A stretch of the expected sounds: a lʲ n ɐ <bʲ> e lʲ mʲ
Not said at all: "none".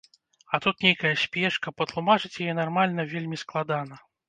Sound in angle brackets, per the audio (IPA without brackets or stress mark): vʲ